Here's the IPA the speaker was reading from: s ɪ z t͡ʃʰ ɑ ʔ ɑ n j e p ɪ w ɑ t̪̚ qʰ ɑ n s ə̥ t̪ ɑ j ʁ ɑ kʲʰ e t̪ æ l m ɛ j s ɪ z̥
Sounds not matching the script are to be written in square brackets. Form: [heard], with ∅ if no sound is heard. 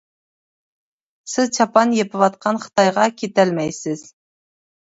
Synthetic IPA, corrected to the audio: s ɪ z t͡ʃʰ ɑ [p] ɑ n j e p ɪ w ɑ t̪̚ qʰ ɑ n [χ] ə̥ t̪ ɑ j ʁ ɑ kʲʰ e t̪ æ l m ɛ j s ɪ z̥

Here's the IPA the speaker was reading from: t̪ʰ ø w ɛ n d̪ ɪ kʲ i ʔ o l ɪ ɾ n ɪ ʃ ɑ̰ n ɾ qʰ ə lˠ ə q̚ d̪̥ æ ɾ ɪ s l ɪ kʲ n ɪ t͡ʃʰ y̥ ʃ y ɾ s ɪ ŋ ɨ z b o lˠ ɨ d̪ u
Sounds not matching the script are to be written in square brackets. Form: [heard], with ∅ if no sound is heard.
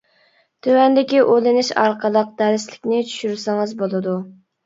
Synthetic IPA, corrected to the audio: t̪ʰ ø w ɛ n d̪ ɪ kʲ i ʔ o l ɪ [∅] n ɪ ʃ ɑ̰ [∅] ɾ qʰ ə lˠ ə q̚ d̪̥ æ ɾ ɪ s l ɪ kʲ n ɪ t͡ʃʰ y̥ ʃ y ɾ s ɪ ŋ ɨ z b o lˠ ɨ d̪ u

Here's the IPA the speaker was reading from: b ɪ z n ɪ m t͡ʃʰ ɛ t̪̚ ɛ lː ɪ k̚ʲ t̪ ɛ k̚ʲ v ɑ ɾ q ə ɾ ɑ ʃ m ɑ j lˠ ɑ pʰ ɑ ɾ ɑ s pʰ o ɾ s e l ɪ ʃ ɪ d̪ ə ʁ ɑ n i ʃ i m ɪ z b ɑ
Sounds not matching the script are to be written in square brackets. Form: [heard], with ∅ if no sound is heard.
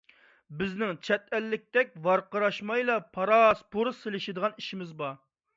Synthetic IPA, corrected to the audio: b ɪ z n ɪ [ŋ] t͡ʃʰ ɛ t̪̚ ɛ lː ɪ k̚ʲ t̪ ɛ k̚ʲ v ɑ ɾ q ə ɾ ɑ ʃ m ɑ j lˠ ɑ pʰ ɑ ɾ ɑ s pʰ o ɾ s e l ɪ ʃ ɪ d̪ ə ʁ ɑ n i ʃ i m ɪ z b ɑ

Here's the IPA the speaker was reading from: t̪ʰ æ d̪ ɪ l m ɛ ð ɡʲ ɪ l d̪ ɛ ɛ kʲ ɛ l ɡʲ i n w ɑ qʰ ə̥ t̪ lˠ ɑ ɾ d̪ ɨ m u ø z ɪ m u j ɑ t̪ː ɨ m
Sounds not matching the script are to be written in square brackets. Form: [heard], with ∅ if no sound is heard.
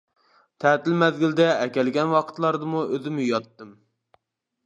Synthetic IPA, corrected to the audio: t̪ʰ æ [t̪] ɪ l m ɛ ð ɡʲ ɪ l d̪ ɛ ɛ kʲ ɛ l ɡʲ [ɛ] n w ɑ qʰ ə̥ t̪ lˠ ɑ ɾ d̪ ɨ m u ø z ɪ m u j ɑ t̪ː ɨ m

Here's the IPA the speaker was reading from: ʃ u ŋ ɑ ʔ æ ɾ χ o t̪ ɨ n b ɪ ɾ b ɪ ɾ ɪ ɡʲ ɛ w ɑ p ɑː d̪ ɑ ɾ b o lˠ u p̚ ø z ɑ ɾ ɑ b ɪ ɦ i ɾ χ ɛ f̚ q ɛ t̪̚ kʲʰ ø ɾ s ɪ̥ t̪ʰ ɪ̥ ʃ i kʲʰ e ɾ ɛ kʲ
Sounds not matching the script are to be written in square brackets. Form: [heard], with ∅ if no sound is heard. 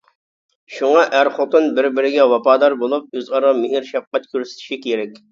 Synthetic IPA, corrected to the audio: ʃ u ŋ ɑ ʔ æ ɾ χ o t̪ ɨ n b ɪ ɾ b ɪ ɾ ɪ ɡʲ ɛ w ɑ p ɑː d̪ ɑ ɾ b o lˠ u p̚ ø z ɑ ɾ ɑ [m] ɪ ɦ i ɾ [ʃ] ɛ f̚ q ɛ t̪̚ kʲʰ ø ɾ s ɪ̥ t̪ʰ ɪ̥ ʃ i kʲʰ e ɾ ɛ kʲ

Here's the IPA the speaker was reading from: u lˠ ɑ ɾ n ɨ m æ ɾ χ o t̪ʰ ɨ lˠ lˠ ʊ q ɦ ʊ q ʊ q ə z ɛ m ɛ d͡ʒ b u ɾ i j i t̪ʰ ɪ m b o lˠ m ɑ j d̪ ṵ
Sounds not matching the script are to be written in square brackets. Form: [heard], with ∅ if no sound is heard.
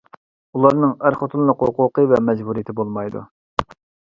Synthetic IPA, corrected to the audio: u lˠ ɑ ɾ n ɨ [ŋ] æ ɾ χ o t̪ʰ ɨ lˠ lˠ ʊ q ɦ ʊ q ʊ q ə [v] ɛ m ɛ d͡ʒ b u ɾ i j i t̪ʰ ɪ [∅] b o lˠ m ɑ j d̪ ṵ

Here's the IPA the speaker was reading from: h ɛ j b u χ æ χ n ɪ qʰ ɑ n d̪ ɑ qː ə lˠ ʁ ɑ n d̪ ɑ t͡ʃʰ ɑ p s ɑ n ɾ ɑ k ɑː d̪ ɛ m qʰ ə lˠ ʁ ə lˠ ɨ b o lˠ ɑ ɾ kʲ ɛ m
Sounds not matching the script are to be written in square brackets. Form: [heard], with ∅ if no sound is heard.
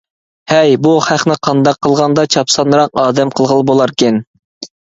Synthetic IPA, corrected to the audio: h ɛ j b u χ æ χ n ɪ qʰ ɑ n d̪ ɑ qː ə lˠ ʁ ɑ n d̪ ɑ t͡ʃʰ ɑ p s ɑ n ɾ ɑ [q] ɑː d̪ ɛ m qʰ ə lˠ ʁ ə lˠ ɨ b o lˠ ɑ ɾ kʲ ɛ [n]

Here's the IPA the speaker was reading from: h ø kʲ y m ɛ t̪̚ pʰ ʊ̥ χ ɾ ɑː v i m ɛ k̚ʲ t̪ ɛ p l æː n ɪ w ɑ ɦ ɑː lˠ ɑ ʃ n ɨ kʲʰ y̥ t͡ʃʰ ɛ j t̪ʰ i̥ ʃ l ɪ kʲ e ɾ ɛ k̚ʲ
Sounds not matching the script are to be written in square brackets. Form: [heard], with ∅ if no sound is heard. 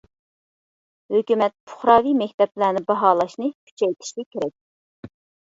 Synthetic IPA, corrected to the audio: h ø kʲ y m ɛ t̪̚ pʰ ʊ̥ χ ɾ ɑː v i m ɛ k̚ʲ t̪ ɛ p l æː n ɪ [b] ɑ ɦ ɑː lˠ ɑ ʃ n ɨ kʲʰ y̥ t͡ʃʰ ɛ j t̪ʰ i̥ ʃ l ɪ kʲ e ɾ ɛ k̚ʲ

